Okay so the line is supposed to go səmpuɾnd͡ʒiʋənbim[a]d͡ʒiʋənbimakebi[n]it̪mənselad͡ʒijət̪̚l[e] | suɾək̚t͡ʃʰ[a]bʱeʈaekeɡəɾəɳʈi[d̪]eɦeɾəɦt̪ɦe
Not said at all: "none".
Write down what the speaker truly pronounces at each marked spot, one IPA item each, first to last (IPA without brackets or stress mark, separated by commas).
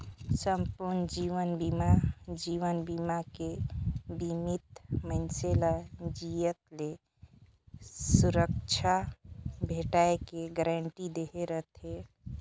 a, m, e, a, d̪